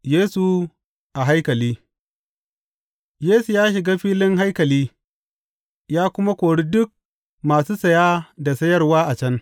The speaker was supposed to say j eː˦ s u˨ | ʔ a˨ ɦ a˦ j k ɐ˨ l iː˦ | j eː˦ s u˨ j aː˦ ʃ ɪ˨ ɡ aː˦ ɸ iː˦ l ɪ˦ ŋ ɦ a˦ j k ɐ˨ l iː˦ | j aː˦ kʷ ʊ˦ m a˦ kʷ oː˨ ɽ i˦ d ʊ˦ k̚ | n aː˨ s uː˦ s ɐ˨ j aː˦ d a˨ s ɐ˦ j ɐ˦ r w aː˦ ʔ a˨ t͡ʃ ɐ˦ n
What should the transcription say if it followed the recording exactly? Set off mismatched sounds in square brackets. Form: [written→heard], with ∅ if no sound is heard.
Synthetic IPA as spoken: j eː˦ s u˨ | ʔ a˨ ɦ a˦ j k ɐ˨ l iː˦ | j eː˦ s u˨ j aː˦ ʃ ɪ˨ ɡ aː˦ ɸ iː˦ l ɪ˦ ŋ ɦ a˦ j k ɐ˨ l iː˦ | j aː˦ kʷ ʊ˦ m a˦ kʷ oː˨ ɽ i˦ d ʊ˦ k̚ | [n→m] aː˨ s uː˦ s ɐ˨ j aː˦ d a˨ s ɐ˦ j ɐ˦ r w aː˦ ʔ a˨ t͡ʃ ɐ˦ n